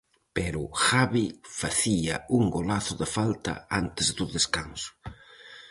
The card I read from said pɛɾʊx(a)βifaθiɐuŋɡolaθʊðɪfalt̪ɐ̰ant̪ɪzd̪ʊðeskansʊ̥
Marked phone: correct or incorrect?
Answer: correct